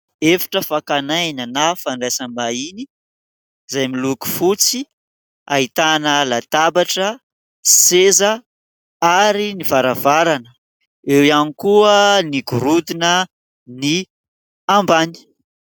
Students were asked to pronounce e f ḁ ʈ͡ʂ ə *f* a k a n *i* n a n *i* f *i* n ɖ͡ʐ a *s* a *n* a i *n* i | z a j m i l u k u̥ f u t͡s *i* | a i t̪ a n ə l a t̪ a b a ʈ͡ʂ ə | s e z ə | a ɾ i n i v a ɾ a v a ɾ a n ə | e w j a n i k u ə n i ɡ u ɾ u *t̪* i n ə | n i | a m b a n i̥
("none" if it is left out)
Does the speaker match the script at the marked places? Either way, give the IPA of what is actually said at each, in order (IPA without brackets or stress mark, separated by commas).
f, a, a, a, s, m, n, i, d̪